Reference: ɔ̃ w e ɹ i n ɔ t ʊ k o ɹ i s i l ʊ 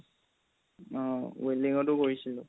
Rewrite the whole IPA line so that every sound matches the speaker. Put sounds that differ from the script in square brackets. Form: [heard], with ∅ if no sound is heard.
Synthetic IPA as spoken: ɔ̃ w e [l] i [ŋ] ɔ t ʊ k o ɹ i s i l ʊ

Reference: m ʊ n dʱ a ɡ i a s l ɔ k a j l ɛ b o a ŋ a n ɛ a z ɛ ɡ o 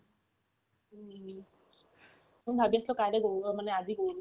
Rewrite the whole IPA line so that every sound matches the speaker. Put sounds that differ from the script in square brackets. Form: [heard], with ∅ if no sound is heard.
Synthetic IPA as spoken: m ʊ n [bʱ] a [b] i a s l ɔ k a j l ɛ [ɡ] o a [m] a n ɛ a z [i] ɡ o

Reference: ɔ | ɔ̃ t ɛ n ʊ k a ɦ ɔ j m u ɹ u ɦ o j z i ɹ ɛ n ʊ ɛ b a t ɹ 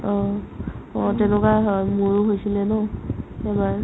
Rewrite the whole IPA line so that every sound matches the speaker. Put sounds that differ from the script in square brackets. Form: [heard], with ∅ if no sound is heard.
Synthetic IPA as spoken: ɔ | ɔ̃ t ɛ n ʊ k a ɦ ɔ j m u ɹ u ɦ o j [s] i [l] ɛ n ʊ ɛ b a [∅] ɹ

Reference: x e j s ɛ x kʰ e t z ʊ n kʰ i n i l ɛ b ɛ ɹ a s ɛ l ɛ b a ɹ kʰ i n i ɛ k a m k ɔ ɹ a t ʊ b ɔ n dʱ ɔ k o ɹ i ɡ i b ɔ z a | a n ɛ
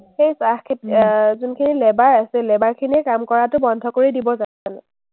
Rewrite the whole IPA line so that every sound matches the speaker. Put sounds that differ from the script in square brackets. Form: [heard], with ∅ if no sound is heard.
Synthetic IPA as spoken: x e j s [a] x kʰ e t z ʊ n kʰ i n i l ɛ b [a] ɹ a s ɛ l ɛ b a ɹ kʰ i n i ɛ k a m k ɔ ɹ a t ʊ b ɔ n dʱ ɔ k o ɹ i [d] i b ɔ z a | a n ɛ

